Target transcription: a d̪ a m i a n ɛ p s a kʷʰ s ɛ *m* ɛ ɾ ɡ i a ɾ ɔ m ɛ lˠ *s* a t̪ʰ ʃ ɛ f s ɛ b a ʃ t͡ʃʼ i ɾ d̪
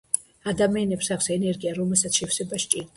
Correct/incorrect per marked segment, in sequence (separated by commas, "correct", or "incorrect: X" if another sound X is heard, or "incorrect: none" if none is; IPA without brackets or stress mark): incorrect: n, correct